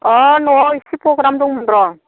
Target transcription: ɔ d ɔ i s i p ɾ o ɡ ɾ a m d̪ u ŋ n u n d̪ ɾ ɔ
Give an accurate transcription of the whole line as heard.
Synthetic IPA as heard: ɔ n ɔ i s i p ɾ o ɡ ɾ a m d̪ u ŋ m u n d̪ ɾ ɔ